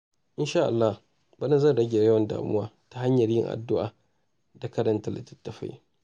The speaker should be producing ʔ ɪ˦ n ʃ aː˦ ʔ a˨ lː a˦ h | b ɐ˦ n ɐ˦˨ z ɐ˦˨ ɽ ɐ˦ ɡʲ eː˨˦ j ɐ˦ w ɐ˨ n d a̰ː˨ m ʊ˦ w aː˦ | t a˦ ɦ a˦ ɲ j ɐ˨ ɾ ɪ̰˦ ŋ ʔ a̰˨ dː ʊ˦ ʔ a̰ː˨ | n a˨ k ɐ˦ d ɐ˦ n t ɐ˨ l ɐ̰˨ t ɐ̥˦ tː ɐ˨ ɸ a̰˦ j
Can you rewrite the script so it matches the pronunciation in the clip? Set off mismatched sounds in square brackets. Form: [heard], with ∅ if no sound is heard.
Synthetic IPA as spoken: ʔ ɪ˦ n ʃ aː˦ ʔ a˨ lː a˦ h | b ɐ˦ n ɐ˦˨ z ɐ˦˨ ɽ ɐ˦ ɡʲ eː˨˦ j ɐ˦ w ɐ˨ n d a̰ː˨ m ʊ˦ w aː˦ | t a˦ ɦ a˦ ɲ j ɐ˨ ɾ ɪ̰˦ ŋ ʔ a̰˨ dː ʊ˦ ʔ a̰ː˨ | [d] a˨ k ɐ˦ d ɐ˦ n t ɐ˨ l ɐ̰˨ t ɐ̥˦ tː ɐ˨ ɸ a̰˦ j